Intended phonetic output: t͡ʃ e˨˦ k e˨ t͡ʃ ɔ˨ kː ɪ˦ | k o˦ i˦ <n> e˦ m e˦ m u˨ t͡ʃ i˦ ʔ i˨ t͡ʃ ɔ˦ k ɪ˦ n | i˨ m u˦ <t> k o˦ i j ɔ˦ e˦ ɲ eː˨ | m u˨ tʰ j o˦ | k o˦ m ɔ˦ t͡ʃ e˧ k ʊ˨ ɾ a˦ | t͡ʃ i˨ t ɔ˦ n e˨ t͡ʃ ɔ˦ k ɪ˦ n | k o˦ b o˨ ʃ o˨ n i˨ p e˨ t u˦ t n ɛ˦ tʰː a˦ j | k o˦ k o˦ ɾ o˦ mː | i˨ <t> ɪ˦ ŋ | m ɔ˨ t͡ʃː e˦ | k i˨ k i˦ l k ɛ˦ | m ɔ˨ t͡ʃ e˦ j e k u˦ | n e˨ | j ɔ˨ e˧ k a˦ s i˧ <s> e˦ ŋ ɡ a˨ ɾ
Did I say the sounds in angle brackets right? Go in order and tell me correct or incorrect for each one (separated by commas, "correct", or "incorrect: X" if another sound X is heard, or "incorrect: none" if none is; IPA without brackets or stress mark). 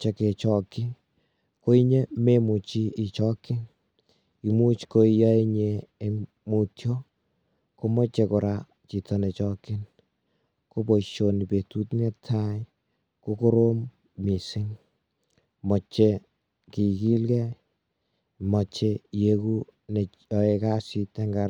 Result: incorrect: ɲ, incorrect: t͡ʃ, incorrect: s, incorrect: t